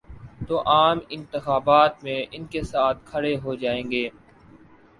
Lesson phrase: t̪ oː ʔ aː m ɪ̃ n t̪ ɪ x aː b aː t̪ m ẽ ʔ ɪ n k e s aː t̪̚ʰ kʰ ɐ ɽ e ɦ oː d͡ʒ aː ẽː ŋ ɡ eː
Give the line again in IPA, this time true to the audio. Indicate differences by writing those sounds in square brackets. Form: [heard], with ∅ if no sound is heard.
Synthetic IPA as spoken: t̪ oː ʔ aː m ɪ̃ n t̪ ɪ x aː b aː t̪ m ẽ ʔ ɪ n k e s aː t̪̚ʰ kʰ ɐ ɽ e ɦ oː d͡ʒ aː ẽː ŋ ɡ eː